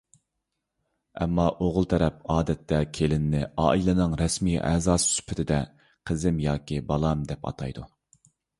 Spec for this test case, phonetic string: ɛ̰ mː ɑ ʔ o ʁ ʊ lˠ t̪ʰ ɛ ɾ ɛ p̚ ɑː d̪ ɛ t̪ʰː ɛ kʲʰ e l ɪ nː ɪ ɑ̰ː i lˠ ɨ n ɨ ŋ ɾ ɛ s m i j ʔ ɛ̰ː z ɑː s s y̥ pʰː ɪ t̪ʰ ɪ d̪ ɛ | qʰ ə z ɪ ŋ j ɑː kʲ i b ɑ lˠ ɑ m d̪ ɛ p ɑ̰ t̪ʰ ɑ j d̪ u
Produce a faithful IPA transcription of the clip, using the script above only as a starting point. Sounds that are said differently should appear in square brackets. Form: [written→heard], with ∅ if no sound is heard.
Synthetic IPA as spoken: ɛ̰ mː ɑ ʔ o ʁ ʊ lˠ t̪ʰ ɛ ɾ ɛ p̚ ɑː d̪ ɛ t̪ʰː ɛ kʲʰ e l ɪ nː ɪ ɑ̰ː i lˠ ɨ n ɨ ŋ ɾ ɛ s m i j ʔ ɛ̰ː z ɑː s s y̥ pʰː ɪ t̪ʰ ɪ d̪ ɛ | qʰ ə z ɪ [ŋ→m] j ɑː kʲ i b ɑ lˠ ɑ m d̪ ɛ p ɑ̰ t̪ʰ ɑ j d̪ u